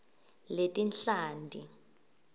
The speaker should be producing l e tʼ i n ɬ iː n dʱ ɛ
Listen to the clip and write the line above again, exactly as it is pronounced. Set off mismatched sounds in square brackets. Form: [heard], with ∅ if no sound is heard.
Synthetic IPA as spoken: l e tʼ i n ɬ [aː] n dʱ [i]